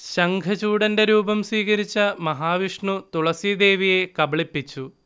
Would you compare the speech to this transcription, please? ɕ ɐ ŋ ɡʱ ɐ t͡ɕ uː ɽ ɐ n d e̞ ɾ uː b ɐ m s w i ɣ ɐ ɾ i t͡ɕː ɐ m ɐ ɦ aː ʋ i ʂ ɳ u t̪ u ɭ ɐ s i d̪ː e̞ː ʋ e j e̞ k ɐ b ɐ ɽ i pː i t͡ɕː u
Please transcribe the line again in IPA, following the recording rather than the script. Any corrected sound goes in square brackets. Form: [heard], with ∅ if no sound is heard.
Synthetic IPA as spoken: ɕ ɐ ŋ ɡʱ ɐ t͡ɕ uː ɽ ɐ n d e̞ ɾ uː b ɐ m s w [iː] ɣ ɐ ɾ i t͡ɕː ɐ m ɐ ɦ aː ʋ i ʂ ɳ u t̪ u ɭ ɐ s i [d̪] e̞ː ʋ [i] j e̞ k ɐ b ɐ [ɭ] i pː i t͡ɕː u